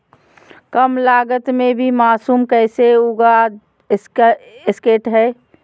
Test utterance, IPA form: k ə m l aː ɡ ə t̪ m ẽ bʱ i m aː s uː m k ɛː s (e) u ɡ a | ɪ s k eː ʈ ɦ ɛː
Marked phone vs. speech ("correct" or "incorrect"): correct